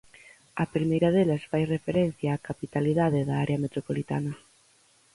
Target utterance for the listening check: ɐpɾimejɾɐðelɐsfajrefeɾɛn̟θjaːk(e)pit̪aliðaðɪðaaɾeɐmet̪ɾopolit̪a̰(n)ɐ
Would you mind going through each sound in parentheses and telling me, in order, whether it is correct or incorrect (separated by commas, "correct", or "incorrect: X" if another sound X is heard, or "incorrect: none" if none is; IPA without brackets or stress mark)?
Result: incorrect: a, correct